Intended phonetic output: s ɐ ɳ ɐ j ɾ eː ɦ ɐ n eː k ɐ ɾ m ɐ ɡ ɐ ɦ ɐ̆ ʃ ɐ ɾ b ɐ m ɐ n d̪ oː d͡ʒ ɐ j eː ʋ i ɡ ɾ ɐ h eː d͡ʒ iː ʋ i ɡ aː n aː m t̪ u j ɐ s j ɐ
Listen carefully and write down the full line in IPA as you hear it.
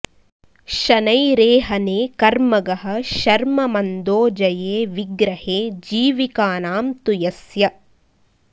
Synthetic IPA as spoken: ʃ ɐ n ɐ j ɾ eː ɦ ɐ n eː k ɐ ɾ m ɐ ɡ ɐ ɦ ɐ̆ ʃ ɐ ɾ m ɐ m ɐ n d̪ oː d͡ʒ ɐ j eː ʋ i ɡ ɾ ɐ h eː d͡ʒ iː ʋ i k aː n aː m t̪ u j ɐ s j ɐ